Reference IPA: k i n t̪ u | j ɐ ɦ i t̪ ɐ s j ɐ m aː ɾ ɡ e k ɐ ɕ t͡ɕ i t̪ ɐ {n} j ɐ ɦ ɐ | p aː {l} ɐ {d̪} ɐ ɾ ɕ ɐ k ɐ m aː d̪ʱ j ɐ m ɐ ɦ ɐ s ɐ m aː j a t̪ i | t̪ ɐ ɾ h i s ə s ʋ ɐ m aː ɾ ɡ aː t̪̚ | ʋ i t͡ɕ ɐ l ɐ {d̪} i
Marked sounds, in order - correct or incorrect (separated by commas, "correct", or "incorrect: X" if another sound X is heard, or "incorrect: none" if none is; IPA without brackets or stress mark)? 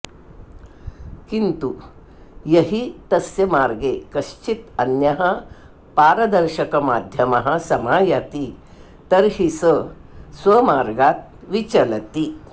correct, incorrect: ɾ, correct, incorrect: t̪